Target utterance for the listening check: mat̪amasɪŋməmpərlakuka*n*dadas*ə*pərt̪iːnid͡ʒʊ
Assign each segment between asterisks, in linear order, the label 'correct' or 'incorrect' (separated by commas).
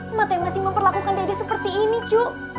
correct, correct